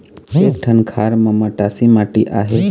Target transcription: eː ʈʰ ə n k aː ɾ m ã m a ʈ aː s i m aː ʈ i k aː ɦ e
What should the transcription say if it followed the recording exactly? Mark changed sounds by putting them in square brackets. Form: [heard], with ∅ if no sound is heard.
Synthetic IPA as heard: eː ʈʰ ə n [kʰ] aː ɾ m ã m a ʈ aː s i m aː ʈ i [ʔ] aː ɦ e